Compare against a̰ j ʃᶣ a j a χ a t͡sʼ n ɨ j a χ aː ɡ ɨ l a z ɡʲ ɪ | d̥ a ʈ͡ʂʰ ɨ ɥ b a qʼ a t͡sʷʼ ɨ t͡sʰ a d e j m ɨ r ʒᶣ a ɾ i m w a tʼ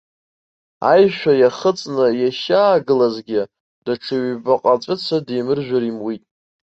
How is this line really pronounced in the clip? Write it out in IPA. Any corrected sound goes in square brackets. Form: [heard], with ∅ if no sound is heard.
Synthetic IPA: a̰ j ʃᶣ a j a χ [ə] t͡sʼ n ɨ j a [ʃ] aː ɡ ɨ l a z ɡʲ ɪ | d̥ a ʈ͡ʂʰ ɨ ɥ b a qʼ a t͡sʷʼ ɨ t͡sʰ a d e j m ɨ r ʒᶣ a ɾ i m w [i] tʼ